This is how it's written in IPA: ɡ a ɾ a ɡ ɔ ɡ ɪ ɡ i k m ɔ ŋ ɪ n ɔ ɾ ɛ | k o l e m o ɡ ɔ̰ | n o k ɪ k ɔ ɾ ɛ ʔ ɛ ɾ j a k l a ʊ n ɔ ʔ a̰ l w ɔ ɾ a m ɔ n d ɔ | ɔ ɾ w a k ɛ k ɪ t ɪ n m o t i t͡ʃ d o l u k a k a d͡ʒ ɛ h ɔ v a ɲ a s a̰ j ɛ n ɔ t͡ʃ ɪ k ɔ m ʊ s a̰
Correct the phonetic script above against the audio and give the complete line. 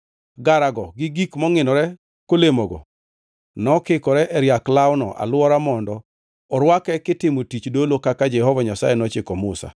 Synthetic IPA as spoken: ɡ a ɾ a ɡ ɔ ɡ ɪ ɡ i k m ɔ ŋ ɪ n ɔ ɾ ɛ | k o l e m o ɡ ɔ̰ | n ɔ k ɪ k ɔ ɾ ɛ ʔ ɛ ɾ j a k l a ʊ n ɔ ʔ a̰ l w ɔ ɾ a m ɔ n d ɔ | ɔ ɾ w a k ɛ k ɪ t ɪ m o t i t͡ʃ d o l o k a k a d͡ʒ ɛ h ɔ v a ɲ a s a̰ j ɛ n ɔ t͡ʃ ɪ k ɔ m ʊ s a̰